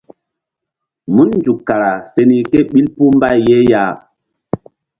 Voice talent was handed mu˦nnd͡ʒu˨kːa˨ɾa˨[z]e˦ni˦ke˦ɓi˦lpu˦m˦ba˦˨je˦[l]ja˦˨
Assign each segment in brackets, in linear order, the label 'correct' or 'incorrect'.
incorrect: s, incorrect: none

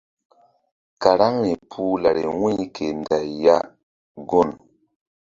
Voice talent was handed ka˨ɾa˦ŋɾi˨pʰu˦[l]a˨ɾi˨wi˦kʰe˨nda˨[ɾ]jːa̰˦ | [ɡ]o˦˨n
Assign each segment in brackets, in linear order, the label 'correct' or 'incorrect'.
correct, incorrect: none, correct

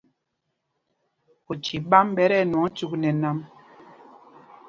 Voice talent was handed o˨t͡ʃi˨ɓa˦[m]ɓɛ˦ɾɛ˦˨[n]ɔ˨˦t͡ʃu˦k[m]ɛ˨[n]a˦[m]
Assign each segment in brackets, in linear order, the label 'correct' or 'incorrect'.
correct, correct, incorrect: n, correct, correct

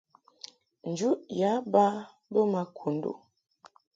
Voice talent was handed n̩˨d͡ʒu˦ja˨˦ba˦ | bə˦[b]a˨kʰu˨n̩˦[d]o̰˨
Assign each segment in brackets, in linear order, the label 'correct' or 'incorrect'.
incorrect: m, correct

